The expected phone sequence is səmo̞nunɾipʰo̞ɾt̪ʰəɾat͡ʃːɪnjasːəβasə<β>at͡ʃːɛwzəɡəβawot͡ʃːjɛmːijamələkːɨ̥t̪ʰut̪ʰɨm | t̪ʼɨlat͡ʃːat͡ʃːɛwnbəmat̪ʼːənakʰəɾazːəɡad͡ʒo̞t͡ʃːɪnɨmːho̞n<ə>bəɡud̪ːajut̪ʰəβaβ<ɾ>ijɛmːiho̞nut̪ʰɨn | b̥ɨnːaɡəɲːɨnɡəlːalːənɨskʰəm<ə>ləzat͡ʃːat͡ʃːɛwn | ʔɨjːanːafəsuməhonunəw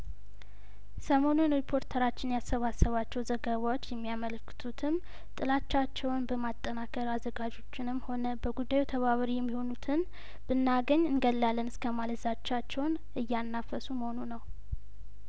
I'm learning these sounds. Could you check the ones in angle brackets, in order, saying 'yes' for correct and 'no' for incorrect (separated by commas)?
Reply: yes, yes, yes, no